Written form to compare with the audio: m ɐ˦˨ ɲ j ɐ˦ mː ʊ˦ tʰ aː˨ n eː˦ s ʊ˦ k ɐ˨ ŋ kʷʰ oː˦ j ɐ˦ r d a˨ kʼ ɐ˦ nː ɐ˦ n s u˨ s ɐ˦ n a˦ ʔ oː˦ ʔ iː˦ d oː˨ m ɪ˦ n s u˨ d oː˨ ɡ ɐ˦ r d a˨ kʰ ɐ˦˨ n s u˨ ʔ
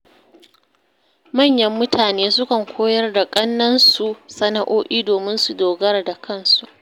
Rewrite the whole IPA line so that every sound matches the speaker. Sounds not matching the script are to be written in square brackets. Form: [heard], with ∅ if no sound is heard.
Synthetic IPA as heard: m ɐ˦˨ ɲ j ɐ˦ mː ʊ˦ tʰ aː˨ n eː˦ s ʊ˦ k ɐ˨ ŋ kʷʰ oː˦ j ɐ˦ r d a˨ kʼ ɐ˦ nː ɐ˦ n s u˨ s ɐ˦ n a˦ ʔ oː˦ ʔ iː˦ d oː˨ m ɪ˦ n s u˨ d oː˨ ɡ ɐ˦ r d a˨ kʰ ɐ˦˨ n s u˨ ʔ